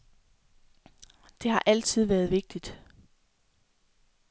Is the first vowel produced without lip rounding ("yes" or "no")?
yes